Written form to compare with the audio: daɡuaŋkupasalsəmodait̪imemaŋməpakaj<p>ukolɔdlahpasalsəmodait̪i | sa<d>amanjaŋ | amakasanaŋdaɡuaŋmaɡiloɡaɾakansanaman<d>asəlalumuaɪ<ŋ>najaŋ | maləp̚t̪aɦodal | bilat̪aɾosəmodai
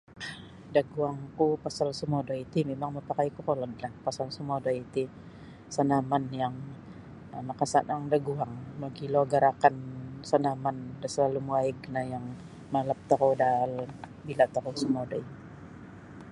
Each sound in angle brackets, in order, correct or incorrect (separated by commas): incorrect, incorrect, correct, incorrect